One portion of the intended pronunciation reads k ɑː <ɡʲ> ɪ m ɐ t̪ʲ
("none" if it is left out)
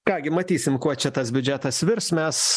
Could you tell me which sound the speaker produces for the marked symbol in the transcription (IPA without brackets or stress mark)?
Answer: ɡʲ